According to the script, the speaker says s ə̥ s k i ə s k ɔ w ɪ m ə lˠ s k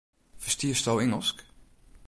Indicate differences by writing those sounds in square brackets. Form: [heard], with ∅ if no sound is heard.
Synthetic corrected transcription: [f] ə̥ s [t] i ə s [t] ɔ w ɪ [ŋ] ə lˠ s k

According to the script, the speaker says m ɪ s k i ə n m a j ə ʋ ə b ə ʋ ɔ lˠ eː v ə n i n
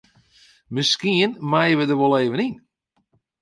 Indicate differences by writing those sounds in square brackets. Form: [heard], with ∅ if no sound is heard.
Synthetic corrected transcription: m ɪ s k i ə n m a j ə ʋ ə [d] ə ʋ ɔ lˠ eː v ə n i n

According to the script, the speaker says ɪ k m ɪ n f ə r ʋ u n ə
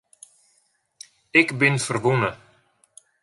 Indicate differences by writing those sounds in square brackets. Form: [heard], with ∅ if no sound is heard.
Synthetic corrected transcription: ɪ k [b] ɪ n f ə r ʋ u n ə

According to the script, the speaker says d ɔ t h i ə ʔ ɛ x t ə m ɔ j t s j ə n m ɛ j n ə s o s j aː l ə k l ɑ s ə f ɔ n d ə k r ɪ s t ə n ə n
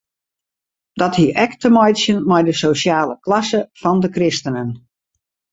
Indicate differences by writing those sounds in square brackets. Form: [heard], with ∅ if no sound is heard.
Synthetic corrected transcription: d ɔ t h i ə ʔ ɛ [k] t ə m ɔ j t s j ə n m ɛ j [d] ə s o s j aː l ə k l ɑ s ə f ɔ n d ə k r ɪ s t ə n ə n

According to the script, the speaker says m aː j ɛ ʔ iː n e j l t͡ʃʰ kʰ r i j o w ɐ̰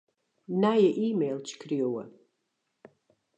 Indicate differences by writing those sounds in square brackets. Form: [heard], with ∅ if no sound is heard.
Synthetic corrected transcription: [n] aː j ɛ ʔ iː [m] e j l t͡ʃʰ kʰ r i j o w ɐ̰

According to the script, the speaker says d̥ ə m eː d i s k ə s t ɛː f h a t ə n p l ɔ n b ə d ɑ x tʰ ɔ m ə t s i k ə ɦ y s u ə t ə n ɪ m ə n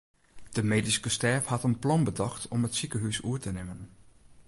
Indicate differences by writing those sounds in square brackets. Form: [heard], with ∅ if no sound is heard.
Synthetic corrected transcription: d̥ ə m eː d i s k ə s t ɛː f h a t ə n p l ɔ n b ə d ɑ x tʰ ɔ m ə t s i k ə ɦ y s u ə t ə n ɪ m ə n

